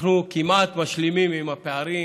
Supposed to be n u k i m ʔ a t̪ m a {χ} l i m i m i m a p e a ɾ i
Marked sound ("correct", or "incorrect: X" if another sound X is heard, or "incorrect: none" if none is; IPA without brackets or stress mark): incorrect: ʃ